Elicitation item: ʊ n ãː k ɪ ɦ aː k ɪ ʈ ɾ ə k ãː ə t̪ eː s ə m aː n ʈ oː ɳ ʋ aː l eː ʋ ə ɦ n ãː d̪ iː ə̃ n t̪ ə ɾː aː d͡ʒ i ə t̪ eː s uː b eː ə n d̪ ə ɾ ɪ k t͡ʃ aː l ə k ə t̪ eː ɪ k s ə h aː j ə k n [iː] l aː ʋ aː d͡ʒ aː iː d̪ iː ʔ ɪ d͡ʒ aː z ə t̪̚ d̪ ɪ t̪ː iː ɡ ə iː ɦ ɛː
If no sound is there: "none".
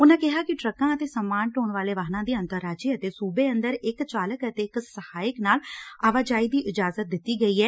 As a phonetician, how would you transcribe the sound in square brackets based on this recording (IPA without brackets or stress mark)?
aː